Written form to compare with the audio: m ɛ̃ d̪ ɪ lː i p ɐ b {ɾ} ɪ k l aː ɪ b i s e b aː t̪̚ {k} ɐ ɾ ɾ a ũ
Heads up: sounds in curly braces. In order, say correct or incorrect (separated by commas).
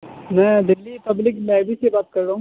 incorrect, correct